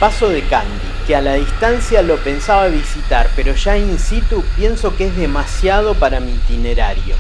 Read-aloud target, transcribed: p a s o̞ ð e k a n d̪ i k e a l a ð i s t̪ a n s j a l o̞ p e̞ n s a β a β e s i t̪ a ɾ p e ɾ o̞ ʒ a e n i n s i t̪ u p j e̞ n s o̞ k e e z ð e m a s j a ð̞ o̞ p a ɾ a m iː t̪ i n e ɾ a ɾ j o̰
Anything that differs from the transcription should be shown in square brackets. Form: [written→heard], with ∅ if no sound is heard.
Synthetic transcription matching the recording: p a s o̞ ð e k a n d̪ i k e a l a ð i s t̪ a n s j a l o̞ p e̞ n s a β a β [e→i] s i t̪ a ɾ p e ɾ o̞ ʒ a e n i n s i t̪ u p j e̞ n s o̞ k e e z ð e m a s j a ð̞ o̞ p a ɾ a m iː t̪ i n e ɾ a ɾ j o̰